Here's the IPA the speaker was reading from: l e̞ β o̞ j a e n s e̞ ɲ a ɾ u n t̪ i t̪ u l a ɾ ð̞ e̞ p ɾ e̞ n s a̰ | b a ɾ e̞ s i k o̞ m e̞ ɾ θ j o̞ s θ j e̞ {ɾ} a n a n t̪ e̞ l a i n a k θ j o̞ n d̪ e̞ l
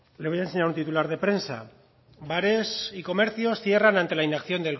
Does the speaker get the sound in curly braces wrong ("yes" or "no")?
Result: yes